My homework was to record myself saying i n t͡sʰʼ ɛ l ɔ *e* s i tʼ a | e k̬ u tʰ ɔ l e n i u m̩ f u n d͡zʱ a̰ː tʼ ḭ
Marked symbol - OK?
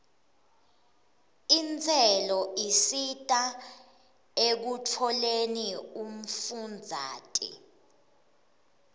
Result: no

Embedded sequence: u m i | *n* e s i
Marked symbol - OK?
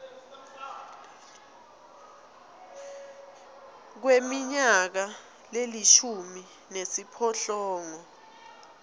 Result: yes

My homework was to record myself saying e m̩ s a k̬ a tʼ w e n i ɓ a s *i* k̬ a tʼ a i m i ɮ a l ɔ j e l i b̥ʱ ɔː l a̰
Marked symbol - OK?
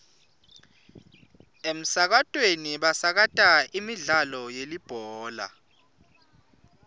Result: no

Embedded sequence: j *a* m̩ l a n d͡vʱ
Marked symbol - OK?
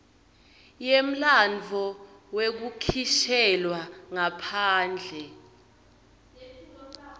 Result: no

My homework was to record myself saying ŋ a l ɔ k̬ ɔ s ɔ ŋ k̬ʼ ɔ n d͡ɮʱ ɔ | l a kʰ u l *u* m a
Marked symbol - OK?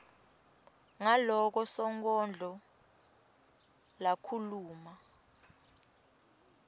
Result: no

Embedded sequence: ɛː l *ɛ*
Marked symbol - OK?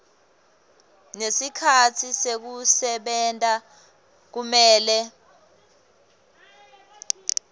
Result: yes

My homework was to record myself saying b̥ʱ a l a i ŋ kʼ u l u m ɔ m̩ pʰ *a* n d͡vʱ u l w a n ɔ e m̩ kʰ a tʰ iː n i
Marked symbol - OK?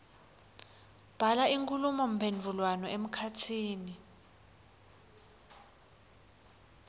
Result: no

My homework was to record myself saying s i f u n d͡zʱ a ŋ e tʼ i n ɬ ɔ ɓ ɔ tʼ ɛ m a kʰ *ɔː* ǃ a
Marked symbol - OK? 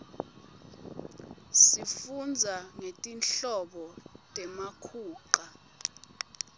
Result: no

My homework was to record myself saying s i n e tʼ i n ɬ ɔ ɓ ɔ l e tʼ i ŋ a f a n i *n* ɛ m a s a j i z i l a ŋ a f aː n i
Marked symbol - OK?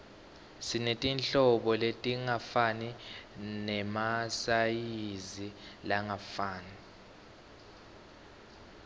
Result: yes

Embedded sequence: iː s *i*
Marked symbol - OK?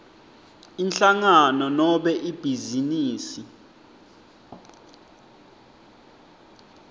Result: yes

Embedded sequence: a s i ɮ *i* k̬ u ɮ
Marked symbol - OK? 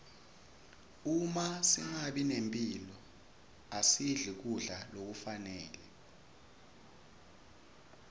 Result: yes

